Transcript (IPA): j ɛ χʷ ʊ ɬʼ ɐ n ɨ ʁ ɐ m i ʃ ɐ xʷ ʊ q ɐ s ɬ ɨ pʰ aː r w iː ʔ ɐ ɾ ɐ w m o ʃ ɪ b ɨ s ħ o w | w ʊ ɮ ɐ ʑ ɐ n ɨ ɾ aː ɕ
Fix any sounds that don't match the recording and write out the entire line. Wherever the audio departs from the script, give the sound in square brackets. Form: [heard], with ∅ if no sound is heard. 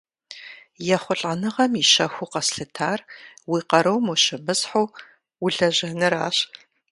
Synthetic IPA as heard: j ɛ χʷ ʊ ɬʼ ɐ n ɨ ʁ ɐ m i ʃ ɐ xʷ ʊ q ɐ s ɬ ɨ [tʰ] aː r w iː [q] ɐ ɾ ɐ w m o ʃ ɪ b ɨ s ħ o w | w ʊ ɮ ɐ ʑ ɐ n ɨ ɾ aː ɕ